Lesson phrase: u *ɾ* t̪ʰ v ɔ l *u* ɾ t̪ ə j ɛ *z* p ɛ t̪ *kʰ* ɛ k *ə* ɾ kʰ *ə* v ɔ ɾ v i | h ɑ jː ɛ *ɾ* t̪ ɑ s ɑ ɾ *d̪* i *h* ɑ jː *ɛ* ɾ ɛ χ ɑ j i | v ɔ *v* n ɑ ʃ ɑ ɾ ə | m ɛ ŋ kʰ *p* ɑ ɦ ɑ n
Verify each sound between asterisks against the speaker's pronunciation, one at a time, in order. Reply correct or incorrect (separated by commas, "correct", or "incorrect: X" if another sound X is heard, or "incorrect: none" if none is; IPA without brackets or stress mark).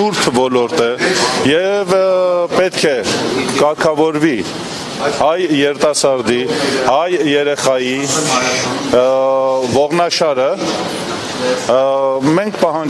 correct, incorrect: ɔ, incorrect: v, correct, incorrect: ɑ, incorrect: ɑ, correct, correct, correct, correct, incorrect: ʁ, correct